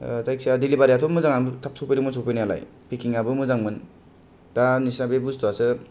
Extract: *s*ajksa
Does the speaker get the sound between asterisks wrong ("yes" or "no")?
yes